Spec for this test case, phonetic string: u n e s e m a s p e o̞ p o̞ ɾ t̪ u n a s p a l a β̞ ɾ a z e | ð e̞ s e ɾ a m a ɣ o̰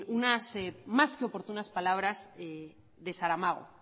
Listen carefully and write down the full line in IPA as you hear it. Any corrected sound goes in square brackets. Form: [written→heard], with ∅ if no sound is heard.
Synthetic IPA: u n [e→a] s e m a s [p→k] e o̞ p o̞ ɾ t̪ u n a s p a l a β̞ ɾ a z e | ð e̞ s [e→a] ɾ a m a ɣ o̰

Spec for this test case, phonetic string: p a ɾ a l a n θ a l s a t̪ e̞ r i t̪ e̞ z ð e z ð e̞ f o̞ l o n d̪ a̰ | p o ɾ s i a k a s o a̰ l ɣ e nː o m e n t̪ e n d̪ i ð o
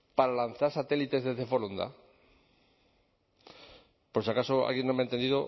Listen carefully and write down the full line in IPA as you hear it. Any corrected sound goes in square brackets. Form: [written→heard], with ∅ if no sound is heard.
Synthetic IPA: p a ɾ a l a n θ a [l→ɾ] s a t̪ e̞ [r→l] i t̪ e̞ z ð e z ð e̞ f o̞ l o n d̪ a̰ | p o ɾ s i a k a s o a̰ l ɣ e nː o m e n t̪ e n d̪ i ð o

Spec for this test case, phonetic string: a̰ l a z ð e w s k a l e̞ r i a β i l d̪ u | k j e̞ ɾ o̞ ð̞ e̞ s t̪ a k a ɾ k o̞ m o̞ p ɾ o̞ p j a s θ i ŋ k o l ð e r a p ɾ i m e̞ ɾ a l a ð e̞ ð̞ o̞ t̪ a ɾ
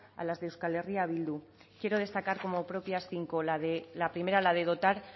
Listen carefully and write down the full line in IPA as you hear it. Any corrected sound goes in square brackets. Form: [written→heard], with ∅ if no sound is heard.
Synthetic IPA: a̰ l a z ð e w s k a l e̞ r i a β i l d̪ u | k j e̞ ɾ o̞ ð̞ e̞ s t̪ a k a ɾ k o̞ m o̞ p ɾ o̞ p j a s θ i ŋ k o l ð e [r→l] a p ɾ i m e̞ ɾ a l a ð e̞ ð̞ o̞ t̪ a ɾ

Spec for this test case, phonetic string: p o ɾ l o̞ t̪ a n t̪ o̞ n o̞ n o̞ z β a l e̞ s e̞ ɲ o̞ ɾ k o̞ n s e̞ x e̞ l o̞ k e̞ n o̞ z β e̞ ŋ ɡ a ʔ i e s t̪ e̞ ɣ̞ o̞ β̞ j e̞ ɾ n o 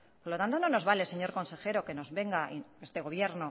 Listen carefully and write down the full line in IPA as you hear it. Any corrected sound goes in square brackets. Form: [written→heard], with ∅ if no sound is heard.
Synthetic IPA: p o ɾ l o̞ t̪ a n t̪ o̞ n o̞ n o̞ z β a l e̞ s e̞ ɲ o̞ ɾ k o̞ n s e̞ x e̞ [l→ɾ] o̞ k e̞ n o̞ z β e̞ ŋ ɡ a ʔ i e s t̪ e̞ ɣ̞ o̞ β̞ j e̞ ɾ n o

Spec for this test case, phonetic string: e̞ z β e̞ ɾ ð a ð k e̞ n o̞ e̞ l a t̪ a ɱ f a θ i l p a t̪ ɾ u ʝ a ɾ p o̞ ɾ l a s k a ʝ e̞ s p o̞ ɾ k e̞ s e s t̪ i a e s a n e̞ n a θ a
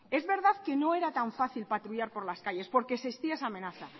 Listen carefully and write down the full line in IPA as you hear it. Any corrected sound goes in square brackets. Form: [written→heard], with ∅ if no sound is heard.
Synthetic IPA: e̞ z β e̞ ɾ ð a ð k e̞ n o̞ e̞ [l→ɾ] a t̪ a ɱ f a θ i l p a t̪ ɾ u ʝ a ɾ p o̞ ɾ l a s k a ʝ e̞ s p o̞ ɾ k e̞ s e s t̪ i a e s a [n→m] e̞ n a θ a

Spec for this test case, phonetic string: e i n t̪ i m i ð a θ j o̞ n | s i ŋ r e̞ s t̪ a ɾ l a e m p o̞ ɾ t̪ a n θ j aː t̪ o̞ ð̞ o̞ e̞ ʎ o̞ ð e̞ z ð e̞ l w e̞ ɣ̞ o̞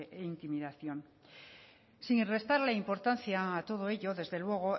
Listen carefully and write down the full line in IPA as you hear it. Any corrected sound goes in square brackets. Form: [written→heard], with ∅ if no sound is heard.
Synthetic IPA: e i n t̪ i m i ð a θ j o̞ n | s i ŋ r e̞ s t̪ a ɾ l a [e→i] m p o̞ ɾ t̪ a n θ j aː t̪ o̞ ð̞ o̞ e̞ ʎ o̞ ð e̞ z ð e̞ l w e̞ ɣ̞ o̞

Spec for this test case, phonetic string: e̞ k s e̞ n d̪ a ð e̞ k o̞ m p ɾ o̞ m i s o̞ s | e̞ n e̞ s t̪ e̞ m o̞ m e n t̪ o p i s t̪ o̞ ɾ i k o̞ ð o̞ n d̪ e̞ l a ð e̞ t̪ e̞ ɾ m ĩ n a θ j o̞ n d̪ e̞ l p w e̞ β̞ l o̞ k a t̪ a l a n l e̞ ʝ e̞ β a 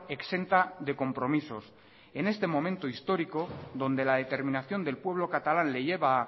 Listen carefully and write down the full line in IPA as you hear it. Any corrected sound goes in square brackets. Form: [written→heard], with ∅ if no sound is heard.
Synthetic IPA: e̞ k s e̞ n [d̪→t̪] a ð e̞ k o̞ m p ɾ o̞ m i s o̞ s | e̞ n e̞ s t̪ e̞ m o̞ m [e→ẽ] n t̪ o [p→∅] i s t̪ o̞ ɾ i k o̞ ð o̞ n d̪ e̞ l a ð e̞ t̪ e̞ ɾ m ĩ n a θ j o̞ n d̪ e̞ l p w e̞ β̞ l o̞ k a t̪ a l a n l e̞ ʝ e̞ β a

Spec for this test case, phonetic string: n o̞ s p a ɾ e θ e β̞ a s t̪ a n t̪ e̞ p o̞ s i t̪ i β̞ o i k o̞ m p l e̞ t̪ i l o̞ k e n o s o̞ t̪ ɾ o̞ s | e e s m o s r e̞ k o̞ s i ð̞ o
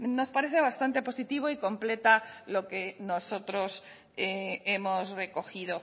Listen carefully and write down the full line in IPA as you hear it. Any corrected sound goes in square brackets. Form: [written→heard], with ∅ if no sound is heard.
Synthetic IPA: n o̞ s p a ɾ e θ e β̞ a s t̪ a n t̪ e̞ p o̞ s i t̪ i β̞ o i k o̞ m p l e̞ t̪ [i→a] l o̞ k e n o s o̞ t̪ ɾ o̞ s | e e [s→∅] m o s r e̞ k o̞ [s→x] i ð̞ o

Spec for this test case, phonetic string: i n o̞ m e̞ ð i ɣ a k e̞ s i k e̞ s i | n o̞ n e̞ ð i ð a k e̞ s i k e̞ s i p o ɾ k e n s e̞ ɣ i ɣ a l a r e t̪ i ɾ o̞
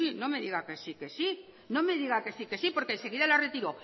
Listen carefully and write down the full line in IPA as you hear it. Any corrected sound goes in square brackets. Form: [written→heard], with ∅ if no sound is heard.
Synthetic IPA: i n o̞ m e̞ ð i ɣ a k e̞ s i k e̞ s i | n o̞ [n→m] e̞ ð i [ð→ɣ] a k e̞ s i k e̞ s i p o ɾ k e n s e̞ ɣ i [ɣ→ð] a l a r e t̪ i ɾ o̞

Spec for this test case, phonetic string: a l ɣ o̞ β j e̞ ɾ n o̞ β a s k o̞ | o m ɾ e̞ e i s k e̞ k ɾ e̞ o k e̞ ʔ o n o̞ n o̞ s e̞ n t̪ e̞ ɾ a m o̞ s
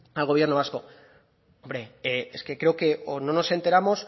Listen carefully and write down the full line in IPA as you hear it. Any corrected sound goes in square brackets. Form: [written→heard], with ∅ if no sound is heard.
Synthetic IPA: a l ɣ o̞ β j e̞ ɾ n o̞ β a s k o̞ | o m ɾ e̞ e [i→e] s k e̞ k ɾ e̞ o k e̞ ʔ o n o̞ n o̞ s e̞ n t̪ e̞ ɾ a m o̞ s

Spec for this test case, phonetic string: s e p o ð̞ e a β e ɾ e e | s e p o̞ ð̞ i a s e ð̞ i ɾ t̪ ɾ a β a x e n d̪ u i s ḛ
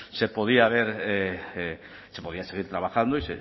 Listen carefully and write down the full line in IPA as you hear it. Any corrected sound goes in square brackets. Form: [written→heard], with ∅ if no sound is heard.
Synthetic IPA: s e p o ð̞ [e→i] a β e ɾ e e | s e p o̞ ð̞ i a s e [ð̞→ɣ̞] i ɾ t̪ ɾ a β a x [e→a] n d̪ [u→o] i s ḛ

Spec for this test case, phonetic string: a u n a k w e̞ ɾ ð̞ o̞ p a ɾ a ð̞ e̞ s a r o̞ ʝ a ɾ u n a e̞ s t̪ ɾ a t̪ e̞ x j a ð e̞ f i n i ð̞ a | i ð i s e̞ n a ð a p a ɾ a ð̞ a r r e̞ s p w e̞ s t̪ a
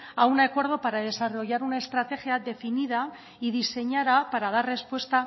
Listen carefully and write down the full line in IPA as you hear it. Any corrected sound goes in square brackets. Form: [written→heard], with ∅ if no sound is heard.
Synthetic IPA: a u n a k w e̞ ɾ ð̞ o̞ p a ɾ a ð̞ e̞ s a r o̞ ʝ a ɾ u n a e̞ s t̪ ɾ a t̪ e̞ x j a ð e̞ f i n i ð̞ a | i ð i s e̞ [n→ɲ] a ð a p a ɾ a ð̞ a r r e̞ s p w e̞ s t̪ a

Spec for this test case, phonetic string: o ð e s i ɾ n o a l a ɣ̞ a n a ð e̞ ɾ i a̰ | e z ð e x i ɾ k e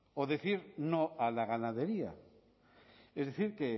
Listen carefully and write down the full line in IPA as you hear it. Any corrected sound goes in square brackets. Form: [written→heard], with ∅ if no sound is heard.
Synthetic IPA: o ð e [s→θ] i ɾ n o a l a ɣ̞ a n a ð e̞ ɾ i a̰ | e z ð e [x→θ] i ɾ k e

